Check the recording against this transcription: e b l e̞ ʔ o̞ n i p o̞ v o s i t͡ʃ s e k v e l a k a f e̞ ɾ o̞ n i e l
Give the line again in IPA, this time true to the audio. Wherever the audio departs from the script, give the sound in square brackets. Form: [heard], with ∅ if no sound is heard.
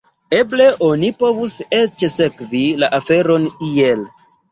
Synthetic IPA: e b l e̞ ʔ o̞ n i p o̞ v [u] s [e] t͡ʃ s e k v [i] l a [ʔ] a f e̞ ɾ o̞ n i e l